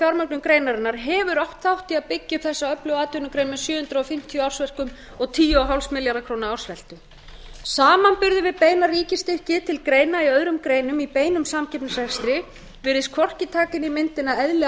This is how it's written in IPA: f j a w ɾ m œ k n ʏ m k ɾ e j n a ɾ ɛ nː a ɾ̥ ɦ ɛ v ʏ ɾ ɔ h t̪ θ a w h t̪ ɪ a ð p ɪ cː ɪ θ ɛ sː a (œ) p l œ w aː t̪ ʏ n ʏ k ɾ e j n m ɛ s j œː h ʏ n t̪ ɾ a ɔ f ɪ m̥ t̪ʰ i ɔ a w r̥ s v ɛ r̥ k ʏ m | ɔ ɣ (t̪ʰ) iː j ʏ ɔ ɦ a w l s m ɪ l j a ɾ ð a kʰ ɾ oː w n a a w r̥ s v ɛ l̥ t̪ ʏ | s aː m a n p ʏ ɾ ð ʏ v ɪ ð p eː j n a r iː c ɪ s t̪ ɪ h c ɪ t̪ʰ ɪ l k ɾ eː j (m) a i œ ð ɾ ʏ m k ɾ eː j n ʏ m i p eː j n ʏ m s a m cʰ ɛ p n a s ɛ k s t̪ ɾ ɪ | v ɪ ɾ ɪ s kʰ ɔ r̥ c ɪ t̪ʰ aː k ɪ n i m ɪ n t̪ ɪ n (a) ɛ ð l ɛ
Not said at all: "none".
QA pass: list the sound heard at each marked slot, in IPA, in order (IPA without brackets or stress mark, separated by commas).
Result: œ, t̪ʰ, n, a